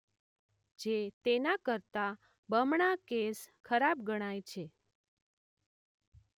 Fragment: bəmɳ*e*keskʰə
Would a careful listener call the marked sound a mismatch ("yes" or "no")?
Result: yes